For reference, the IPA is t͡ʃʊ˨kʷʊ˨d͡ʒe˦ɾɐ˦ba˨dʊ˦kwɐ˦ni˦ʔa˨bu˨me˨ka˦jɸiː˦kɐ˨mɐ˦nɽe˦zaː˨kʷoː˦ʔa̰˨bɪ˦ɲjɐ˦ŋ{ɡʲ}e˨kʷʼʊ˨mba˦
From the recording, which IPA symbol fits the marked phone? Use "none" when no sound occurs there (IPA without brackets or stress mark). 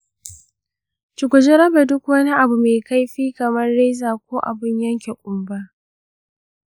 kʲ